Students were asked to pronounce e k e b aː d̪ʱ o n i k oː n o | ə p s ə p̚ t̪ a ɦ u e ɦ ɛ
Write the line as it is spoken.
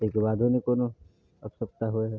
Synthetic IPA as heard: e k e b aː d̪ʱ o n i k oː n o | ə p s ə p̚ t̪ a ɦ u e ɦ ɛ

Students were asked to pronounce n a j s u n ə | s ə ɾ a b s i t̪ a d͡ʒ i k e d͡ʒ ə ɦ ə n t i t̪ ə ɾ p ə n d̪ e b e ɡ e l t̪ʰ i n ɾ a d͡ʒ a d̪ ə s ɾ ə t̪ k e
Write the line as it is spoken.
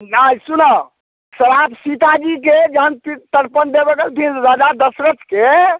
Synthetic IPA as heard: n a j s u n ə | s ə ɾ a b s i t̪ a d͡ʒ i k e d͡ʒ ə ɦ ə n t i t̪ ə ɾ p ə n d̪ e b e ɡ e l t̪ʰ i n ɾ a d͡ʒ a d̪ ə s ɾ ə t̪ k e

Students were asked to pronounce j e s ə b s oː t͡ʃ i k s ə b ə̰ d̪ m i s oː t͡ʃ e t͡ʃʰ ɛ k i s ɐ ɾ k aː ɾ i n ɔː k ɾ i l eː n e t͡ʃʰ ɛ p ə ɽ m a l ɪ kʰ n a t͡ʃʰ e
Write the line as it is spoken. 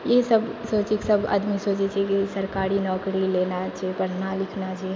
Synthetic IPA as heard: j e s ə b s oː t͡ʃ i k s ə b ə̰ d̪ m i s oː t͡ʃ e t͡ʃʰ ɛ k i s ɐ ɾ k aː ɾ i n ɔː k ɾ i l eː n a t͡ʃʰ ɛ p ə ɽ n a l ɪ kʰ n a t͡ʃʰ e

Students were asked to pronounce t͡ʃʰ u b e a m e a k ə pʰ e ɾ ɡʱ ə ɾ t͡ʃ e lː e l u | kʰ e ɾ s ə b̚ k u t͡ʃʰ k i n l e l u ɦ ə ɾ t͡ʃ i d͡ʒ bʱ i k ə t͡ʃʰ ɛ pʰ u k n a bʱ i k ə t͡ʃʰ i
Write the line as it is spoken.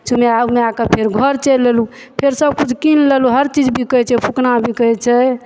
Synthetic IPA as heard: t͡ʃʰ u m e a m e a k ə pʰ e ɾ ɡʱ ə ɾ t͡ʃ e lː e l u | pʰ e ɾ s ə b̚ k u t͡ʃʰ k i n l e l u ɦ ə ɾ t͡ʃ i d͡ʒ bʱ i k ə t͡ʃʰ ɛ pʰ u k n a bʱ i k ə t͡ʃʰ ɛ

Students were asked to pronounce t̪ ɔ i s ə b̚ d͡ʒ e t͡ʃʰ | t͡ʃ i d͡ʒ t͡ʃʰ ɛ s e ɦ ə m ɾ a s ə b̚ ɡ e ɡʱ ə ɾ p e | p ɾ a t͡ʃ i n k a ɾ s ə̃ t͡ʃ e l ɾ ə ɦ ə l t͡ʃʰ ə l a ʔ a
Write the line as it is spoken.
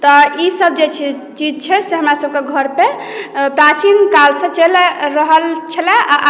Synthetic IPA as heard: t̪ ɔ i s ə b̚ d͡ʒ e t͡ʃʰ | t͡ʃ i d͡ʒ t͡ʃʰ ɛ s e ɦ ə m ɾ a s ə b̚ k e ɡʱ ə ɾ p e | p ɾ a t͡ʃ i n k a l s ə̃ t͡ʃ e l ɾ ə ɦ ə l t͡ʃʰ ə l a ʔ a

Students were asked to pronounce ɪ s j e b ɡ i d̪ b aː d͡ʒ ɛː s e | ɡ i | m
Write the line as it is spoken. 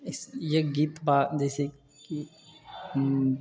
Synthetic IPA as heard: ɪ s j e ɡ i t̪ b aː d͡ʒ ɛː s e | k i | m

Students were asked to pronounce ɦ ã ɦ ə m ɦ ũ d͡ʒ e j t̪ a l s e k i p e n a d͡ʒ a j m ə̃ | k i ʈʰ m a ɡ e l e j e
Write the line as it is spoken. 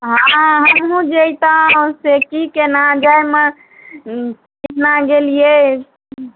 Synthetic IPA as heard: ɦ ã ɦ ə m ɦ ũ d͡ʒ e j t̪ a s e k i k e n a d͡ʒ a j m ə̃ | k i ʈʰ n a ɡ e l i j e

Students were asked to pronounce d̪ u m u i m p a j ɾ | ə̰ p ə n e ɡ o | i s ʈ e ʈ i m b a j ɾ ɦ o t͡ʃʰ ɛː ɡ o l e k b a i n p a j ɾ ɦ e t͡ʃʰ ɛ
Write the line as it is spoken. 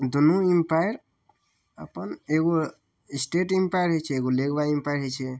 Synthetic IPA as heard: d̪ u n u i m p a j ɾ | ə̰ p ə n e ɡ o | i s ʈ e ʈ i m p a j ɾ ɦ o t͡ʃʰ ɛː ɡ o l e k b a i m p a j ɾ ɦ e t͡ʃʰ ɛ

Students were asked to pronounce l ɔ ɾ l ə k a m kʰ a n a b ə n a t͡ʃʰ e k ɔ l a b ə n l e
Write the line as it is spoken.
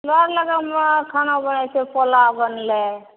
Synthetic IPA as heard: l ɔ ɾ l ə ɡ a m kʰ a n a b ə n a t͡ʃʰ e p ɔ l a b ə n l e

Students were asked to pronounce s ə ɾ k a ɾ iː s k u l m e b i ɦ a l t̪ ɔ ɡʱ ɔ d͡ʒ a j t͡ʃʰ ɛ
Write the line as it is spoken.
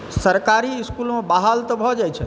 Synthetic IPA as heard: s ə ɾ k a ɾ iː s k u l m e b a ɦ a l t̪ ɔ bʱ ɔ d͡ʒ a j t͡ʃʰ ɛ

